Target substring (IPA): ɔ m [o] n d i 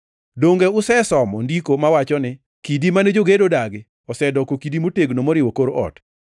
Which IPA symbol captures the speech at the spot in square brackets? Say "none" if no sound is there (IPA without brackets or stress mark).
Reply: ɔ